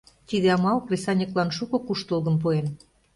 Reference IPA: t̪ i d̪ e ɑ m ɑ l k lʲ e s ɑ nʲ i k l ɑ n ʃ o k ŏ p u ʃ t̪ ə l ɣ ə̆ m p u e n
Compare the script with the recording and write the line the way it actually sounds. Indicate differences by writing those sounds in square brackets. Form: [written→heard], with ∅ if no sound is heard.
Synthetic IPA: t̪ i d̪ e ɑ m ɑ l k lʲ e s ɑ nʲ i k l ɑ n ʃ [o→u] k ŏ [p→k] u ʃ t̪ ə l ɣ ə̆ m p u e n

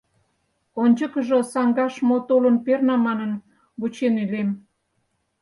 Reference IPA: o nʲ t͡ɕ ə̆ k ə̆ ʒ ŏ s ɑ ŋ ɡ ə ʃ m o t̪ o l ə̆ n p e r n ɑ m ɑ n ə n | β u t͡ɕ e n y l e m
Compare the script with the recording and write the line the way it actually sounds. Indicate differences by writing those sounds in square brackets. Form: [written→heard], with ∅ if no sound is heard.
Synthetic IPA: o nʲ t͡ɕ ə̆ k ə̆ ʒ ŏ s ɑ ŋ ɡ [ə→ɑ] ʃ m o t̪ o l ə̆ n p e r n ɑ m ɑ n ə n | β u t͡ɕ e n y l e m

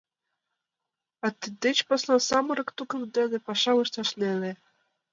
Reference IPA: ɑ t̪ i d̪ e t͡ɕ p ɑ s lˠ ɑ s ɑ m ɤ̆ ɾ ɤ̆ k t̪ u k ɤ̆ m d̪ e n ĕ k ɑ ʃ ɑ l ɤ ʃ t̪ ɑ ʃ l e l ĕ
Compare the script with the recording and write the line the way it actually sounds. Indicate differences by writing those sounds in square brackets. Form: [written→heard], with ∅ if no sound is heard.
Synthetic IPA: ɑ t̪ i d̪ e t͡ɕ p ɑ s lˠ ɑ s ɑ m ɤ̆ ɾ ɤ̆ k t̪ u k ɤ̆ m d̪ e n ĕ [k→p] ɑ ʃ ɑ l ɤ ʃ t̪ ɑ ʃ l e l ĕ

